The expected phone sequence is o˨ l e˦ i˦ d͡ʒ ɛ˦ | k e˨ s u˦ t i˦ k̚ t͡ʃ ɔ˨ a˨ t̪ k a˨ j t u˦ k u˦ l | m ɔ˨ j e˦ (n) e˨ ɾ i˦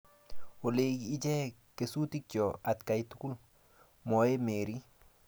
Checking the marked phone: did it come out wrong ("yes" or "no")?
yes